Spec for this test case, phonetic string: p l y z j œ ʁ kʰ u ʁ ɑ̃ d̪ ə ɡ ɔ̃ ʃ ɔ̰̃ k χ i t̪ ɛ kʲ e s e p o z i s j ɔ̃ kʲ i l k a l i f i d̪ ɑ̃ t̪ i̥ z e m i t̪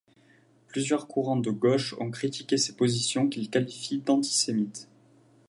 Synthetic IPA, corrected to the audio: p l y z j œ ʁ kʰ u ʁ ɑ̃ d̪ ə ɡ ɔ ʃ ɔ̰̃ k χ i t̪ i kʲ e s e p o z i s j ɔ̃ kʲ i l k a l i f i d̪ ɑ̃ t̪ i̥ s e m i t̪